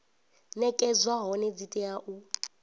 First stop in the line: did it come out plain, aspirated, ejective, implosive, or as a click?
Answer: ejective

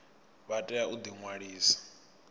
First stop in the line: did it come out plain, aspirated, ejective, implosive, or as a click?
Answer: ejective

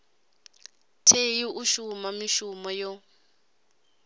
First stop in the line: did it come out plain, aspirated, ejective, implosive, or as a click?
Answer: aspirated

